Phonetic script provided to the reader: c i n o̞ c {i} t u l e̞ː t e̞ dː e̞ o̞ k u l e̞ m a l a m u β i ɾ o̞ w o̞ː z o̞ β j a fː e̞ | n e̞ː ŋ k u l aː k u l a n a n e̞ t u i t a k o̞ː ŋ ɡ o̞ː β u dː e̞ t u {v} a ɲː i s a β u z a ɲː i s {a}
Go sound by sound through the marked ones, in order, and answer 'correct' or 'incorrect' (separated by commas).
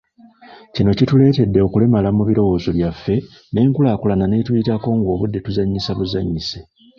correct, incorrect, incorrect